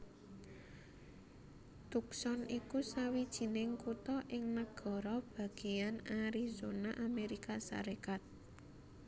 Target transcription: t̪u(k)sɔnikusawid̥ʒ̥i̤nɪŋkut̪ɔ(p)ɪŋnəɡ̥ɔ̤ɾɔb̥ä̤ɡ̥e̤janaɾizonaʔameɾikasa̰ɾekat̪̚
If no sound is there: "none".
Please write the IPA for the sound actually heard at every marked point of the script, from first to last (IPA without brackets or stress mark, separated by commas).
k, ʔ